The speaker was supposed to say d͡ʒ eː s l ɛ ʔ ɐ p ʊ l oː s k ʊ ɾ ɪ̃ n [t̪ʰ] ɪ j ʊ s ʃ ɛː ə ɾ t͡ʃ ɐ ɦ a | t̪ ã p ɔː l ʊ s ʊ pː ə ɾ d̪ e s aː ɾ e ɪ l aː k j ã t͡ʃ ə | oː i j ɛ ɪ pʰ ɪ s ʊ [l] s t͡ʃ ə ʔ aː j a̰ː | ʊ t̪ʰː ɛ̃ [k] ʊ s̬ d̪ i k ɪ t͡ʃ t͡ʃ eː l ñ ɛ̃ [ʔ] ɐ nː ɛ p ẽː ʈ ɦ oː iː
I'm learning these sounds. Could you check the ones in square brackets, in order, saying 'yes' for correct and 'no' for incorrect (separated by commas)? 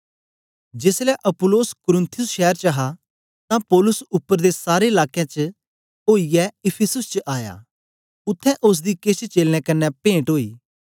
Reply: yes, no, no, no